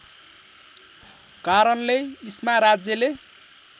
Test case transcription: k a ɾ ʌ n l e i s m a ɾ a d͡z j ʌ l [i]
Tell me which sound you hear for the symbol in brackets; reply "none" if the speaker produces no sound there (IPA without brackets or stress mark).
e